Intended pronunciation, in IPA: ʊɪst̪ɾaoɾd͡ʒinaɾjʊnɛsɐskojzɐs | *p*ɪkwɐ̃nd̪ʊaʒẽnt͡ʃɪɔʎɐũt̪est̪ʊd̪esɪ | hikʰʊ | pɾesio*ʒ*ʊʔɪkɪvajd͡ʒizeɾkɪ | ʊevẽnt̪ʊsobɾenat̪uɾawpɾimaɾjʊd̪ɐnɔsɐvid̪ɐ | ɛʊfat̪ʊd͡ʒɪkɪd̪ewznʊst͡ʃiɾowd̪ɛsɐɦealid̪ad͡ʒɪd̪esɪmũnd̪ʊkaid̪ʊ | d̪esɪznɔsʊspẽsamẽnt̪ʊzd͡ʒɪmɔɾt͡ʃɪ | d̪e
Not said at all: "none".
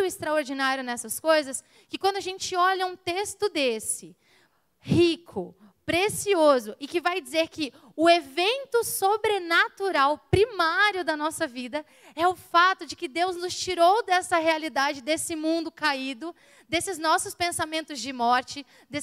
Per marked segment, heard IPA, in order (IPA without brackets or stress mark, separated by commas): k, z